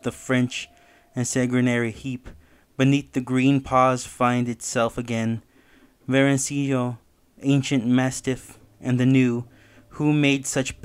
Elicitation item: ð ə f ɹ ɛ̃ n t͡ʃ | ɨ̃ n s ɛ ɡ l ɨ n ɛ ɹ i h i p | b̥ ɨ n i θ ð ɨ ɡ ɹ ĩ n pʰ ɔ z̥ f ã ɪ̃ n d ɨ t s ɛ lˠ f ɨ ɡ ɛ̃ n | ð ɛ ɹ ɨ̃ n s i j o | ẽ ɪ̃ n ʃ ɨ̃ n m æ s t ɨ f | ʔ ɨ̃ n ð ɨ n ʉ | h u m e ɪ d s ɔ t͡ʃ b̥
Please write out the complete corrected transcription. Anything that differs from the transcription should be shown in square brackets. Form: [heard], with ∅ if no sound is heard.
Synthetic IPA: ð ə f ɹ ɛ̃ n t͡ʃ | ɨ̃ n s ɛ ɡ [ɹ] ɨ n ɛ ɹ i h i p | b̥ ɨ n i θ ð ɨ ɡ ɹ ĩ n pʰ ɔ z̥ f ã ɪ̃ n d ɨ t s ɛ lˠ f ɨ ɡ ɛ̃ n | [v] ɛ ɹ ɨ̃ n s i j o | ẽ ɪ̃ n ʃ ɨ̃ n m æ s t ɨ f | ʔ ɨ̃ n ð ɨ n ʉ | h u m e ɪ d s [ʌ] t͡ʃ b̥